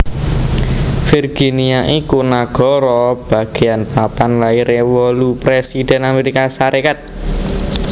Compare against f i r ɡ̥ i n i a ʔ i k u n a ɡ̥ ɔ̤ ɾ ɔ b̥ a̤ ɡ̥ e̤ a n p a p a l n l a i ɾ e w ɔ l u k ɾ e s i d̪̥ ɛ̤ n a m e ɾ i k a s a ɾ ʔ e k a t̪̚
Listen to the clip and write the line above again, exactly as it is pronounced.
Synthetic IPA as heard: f i r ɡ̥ i n i a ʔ i k u n a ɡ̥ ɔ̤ ɾ ɔ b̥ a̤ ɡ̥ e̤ a n p a p a n l a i ɾ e w ɔ l u p ɾ e s i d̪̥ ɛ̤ n a m e ɾ i k a s a ɾ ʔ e k a t̪̚